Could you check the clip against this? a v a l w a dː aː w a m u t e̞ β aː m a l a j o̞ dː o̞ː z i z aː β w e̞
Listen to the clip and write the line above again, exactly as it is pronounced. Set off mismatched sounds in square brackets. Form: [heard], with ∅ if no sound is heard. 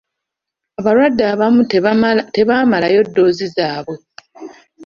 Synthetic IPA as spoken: a [β] a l w a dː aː [β] a m u t e̞ β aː m a l a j o̞ dː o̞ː z i z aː β w e̞